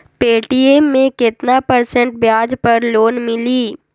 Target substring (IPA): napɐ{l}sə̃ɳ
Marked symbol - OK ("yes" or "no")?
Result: no